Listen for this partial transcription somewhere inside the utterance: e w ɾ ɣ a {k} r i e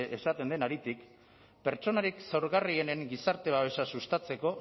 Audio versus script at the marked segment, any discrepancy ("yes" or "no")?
yes